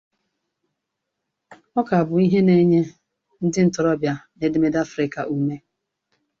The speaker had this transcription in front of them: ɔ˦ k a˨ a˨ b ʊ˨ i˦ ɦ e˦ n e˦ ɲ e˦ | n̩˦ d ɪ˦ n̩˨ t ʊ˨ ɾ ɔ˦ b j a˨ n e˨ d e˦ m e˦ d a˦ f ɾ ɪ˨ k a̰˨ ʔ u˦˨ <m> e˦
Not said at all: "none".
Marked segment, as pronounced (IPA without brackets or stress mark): m